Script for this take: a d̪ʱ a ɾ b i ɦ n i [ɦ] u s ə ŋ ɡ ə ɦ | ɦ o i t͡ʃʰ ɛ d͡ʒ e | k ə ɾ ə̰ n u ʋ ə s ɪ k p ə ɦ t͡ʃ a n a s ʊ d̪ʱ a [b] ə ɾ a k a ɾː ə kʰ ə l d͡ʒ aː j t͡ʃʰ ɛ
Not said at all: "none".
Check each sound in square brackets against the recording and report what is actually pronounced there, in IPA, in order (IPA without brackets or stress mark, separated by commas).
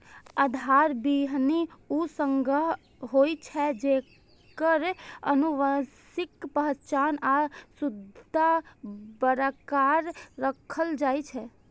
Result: none, b